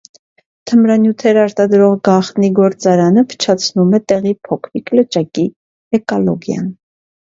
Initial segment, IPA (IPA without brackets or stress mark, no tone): t̪ʰ